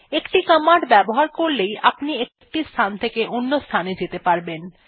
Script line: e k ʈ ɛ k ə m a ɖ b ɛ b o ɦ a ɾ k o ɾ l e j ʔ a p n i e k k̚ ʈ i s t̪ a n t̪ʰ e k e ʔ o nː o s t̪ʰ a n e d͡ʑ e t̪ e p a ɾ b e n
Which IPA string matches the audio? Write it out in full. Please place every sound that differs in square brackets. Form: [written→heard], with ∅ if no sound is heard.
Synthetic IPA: e k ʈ [ɛ→i] k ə m a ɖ b ɛ b o ɦ a ɾ k o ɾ l e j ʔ a p n i e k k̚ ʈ i s [t̪→t̪ʰ] a n t̪ʰ e k e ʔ o nː o s t̪ʰ a n e d͡ʑ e t̪ e p a ɾ b e n